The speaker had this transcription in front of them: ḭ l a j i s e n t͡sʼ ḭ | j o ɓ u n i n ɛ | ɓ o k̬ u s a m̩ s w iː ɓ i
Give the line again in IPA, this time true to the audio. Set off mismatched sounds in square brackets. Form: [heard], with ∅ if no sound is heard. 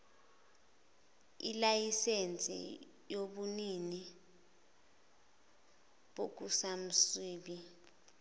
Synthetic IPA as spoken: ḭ l a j i s e n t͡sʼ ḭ | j o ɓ u n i n [i] | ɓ o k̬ u s a m̩ s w iː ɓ i